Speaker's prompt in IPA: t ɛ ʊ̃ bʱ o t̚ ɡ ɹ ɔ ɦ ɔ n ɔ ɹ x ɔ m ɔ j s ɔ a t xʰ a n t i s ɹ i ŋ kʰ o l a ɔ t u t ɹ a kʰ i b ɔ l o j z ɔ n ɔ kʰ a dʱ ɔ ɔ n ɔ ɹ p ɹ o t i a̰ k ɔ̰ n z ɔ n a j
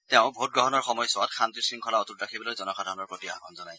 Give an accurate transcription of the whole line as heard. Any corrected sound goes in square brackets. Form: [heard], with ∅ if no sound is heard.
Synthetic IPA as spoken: t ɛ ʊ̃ bʱ o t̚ ɡ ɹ ɔ ɦ ɔ n ɔ ɹ x ɔ m ɔ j s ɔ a t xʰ a n t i s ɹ i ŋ kʰ [ɔ] l a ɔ t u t ɹ a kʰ i b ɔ l o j z ɔ n ɔ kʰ a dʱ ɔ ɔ n ɔ ɹ p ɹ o t i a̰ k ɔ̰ n z ɔ n a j